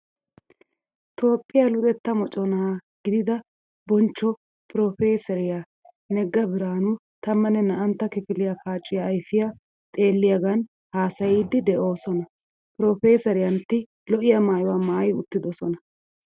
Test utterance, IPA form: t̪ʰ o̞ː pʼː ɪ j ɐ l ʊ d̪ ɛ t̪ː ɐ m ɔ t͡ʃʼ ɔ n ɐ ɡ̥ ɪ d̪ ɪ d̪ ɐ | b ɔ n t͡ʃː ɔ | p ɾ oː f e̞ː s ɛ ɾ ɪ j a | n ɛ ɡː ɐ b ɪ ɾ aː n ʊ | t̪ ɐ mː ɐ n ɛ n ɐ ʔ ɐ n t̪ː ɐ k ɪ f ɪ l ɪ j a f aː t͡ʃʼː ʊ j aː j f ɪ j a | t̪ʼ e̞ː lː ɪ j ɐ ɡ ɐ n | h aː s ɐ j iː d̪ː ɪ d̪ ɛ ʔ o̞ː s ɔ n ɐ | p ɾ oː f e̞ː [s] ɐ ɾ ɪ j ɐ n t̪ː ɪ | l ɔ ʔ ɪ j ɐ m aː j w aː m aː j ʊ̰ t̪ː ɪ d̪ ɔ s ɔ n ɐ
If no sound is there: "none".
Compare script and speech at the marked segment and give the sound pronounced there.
s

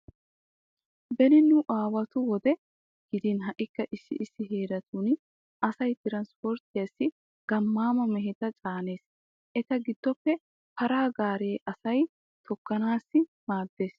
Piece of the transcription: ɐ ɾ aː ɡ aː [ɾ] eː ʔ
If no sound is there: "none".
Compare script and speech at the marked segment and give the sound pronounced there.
ɾ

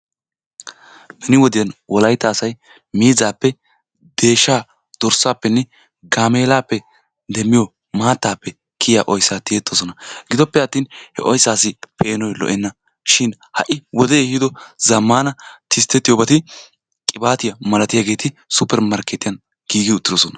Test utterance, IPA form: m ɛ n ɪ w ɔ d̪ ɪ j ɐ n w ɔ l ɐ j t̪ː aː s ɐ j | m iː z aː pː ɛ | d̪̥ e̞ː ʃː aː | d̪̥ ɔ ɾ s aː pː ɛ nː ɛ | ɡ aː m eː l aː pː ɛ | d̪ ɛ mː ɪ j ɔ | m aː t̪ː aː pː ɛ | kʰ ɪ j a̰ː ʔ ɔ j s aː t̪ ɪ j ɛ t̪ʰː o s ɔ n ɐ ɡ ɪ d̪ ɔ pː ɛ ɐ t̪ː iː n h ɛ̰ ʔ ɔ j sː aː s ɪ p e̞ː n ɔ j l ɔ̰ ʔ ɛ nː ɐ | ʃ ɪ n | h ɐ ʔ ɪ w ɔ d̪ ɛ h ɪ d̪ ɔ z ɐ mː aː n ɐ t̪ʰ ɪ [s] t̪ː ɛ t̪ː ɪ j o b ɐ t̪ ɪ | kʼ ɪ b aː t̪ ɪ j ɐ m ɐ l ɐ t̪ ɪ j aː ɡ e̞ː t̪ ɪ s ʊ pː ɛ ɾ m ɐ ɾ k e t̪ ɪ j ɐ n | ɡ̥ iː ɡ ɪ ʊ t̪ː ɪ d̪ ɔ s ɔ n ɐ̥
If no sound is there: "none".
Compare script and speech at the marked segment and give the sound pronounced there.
s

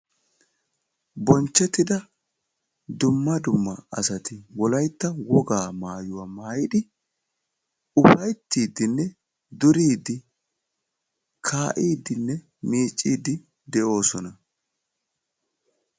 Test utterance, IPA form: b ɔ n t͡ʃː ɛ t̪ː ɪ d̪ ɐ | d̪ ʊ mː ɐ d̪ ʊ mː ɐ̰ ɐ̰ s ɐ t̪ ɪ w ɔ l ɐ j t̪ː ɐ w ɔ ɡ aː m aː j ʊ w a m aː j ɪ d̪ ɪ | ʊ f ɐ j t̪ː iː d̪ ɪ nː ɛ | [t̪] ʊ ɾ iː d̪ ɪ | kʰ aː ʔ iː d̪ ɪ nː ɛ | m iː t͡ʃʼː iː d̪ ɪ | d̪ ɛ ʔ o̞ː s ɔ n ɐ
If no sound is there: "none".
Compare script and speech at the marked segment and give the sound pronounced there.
d̪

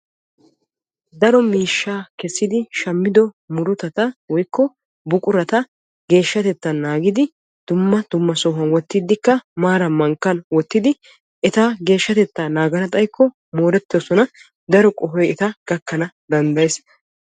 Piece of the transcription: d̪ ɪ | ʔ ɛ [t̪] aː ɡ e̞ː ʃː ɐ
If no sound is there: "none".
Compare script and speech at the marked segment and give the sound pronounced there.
t̪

